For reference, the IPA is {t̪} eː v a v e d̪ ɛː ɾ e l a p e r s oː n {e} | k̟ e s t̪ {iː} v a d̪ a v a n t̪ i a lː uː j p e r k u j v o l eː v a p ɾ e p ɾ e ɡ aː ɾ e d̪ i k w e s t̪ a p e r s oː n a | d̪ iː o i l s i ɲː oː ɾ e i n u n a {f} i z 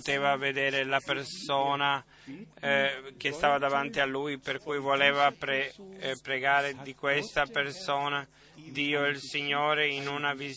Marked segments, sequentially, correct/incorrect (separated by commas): correct, incorrect, incorrect, incorrect